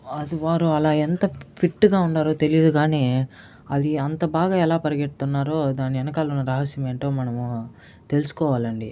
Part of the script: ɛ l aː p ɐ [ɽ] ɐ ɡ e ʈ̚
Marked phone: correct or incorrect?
incorrect